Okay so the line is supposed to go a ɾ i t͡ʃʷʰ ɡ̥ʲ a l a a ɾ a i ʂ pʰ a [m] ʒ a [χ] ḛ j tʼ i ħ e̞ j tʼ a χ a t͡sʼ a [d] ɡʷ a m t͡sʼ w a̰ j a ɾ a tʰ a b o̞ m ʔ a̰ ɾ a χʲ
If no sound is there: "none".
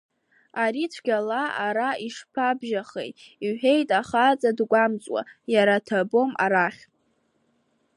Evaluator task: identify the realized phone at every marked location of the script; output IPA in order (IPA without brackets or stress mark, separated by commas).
b, χ, d